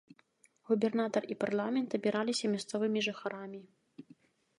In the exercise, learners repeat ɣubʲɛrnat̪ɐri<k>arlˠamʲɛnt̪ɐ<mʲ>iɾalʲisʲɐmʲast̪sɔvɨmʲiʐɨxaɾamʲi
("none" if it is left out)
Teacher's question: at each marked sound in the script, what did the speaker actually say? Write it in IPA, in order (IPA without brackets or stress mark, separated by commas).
p, bʲ